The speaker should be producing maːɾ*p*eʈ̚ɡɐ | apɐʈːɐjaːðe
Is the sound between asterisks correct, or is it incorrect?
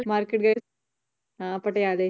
incorrect: k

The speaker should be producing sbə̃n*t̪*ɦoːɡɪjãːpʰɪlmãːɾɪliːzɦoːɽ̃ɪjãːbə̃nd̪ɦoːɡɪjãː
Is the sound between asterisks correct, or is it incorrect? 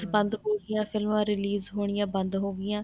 incorrect: d̪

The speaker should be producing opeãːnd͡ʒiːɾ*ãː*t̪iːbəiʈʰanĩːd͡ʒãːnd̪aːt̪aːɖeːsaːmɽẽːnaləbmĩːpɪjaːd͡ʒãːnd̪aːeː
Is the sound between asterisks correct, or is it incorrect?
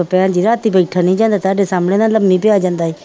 incorrect: aː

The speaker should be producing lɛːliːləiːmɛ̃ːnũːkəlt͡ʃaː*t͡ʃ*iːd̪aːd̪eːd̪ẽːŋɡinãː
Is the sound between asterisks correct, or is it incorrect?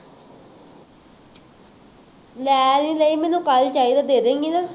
incorrect: none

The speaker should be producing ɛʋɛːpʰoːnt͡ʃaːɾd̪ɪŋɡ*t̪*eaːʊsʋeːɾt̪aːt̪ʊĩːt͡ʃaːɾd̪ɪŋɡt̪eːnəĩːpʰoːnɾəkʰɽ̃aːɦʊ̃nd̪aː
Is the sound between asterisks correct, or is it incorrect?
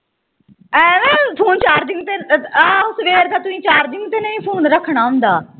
correct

